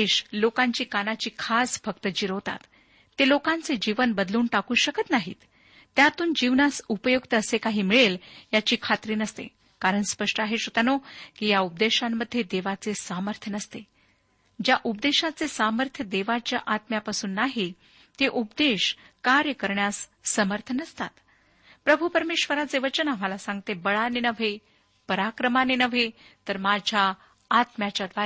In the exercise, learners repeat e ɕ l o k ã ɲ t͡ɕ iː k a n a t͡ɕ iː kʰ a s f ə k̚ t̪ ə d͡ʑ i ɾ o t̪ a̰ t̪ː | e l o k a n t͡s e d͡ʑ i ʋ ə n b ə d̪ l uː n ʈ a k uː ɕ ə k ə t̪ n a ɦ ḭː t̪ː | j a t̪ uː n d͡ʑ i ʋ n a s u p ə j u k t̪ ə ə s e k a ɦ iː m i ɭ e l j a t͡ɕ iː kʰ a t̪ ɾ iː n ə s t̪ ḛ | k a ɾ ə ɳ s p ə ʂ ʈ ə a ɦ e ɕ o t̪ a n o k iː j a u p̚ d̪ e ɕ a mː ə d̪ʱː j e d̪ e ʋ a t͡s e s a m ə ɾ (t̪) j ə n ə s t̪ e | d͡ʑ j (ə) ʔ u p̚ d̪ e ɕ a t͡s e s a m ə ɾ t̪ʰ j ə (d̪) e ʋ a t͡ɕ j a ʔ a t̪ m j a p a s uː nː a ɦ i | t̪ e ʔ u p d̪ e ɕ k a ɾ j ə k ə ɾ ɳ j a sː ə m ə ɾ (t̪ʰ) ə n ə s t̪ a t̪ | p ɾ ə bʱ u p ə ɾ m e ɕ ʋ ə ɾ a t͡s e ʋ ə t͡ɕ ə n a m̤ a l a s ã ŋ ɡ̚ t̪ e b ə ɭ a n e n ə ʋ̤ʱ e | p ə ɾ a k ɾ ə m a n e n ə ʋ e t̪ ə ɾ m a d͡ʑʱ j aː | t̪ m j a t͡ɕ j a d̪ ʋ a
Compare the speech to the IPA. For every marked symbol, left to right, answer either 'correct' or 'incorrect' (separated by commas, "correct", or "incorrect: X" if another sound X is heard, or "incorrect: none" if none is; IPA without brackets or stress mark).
incorrect: t̪ʰ, incorrect: a, correct, correct